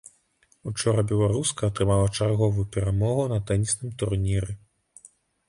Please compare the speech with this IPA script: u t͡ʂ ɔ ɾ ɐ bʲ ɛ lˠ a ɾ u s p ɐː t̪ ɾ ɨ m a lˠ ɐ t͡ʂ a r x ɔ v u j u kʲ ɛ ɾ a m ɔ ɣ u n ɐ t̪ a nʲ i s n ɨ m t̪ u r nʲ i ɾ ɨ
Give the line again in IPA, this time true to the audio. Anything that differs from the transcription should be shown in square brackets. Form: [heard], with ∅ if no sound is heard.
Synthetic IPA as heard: u t͡ʂ ɔ ɾ ɐ bʲ ɛ lˠ a ɾ u s [k] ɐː t̪ ɾ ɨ m a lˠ ɐ t͡ʂ a r [ɣ] ɔ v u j u [pʲ] ɛ ɾ a m ɔ ɣ u n ɐ t̪ [ɛ] nʲ i s n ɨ m t̪ u r nʲ i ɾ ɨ